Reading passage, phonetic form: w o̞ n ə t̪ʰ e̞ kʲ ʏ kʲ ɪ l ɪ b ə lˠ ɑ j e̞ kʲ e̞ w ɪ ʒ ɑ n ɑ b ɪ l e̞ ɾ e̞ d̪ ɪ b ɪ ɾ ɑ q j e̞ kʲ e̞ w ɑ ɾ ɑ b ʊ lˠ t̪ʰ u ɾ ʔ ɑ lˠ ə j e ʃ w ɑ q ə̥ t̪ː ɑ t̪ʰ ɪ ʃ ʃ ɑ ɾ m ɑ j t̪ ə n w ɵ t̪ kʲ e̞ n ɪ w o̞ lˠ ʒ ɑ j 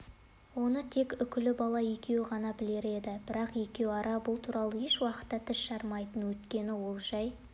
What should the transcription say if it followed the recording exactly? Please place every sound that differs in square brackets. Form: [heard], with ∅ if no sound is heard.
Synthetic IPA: w o̞ n ə t̪ʰ e̞ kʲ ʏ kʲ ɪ l ɪ b [ɑ] lˠ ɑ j e̞ kʲ e̞ w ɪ [ʁ] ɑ n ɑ b ɪ l e̞ ɾ e̞ d̪ ɪ b ɪ ɾ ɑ q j e̞ kʲ e̞ w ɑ ɾ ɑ b ʊ lˠ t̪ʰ u ɾ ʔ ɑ lˠ ə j e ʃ w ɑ q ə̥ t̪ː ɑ t̪ʰ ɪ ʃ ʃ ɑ ɾ m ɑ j t̪ ə n w ɵ t̪ kʲ e̞ n ɪ w o̞ lˠ ʒ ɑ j